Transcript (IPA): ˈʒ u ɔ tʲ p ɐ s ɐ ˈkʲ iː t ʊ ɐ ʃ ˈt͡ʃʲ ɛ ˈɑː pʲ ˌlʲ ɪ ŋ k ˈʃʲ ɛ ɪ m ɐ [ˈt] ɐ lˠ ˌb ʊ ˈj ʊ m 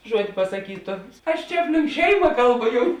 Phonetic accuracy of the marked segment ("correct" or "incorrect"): incorrect